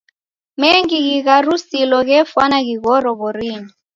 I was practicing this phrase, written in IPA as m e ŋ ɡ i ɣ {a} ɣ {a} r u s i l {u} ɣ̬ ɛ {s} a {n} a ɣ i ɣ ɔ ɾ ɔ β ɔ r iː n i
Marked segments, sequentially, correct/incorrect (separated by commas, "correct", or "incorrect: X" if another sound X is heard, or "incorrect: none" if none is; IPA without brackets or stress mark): incorrect: i, correct, incorrect: ɔ, incorrect: f, correct